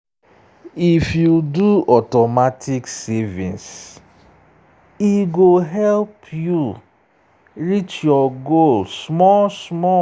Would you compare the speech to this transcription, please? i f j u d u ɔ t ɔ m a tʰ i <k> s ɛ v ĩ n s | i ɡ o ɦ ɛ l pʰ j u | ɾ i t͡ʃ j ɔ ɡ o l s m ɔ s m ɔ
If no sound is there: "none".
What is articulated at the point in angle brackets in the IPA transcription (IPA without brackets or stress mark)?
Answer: k